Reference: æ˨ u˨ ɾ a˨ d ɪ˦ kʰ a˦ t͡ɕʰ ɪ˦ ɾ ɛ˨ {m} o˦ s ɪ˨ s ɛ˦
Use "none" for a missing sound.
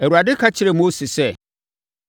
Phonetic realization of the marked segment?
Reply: m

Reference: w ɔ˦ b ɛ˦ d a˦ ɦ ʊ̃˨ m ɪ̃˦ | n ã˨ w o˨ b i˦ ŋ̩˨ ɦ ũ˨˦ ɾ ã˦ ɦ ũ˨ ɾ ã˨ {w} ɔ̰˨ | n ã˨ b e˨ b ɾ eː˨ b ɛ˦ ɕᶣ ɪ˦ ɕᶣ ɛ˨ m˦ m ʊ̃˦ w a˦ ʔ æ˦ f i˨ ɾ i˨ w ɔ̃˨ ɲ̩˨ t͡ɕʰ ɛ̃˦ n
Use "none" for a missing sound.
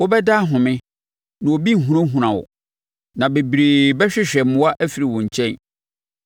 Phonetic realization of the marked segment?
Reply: w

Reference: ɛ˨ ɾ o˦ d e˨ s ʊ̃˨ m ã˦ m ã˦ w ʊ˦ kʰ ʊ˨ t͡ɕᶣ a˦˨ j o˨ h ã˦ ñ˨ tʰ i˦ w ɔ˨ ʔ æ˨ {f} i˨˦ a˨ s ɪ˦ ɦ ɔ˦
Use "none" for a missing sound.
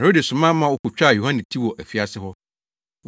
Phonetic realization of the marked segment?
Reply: f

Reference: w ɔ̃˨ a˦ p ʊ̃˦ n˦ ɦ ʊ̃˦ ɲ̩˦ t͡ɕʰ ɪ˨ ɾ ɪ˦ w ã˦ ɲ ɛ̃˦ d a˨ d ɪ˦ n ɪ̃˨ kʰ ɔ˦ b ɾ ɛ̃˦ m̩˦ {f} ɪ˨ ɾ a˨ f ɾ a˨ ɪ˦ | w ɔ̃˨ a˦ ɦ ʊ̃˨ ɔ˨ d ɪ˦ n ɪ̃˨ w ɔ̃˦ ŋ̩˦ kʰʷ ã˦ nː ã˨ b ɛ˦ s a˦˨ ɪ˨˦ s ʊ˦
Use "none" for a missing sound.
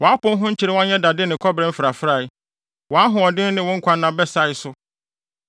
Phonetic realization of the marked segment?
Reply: f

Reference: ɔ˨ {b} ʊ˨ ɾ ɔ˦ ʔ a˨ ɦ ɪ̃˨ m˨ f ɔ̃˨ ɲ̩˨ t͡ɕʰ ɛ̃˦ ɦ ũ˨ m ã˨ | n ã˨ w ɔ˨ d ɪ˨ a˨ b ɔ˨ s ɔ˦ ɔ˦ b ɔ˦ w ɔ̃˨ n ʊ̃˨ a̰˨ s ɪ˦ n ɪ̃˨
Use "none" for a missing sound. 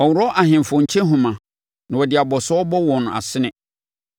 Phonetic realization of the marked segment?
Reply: w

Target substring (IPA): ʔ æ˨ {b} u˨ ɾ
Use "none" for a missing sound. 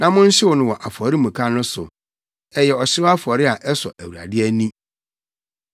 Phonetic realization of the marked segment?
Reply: w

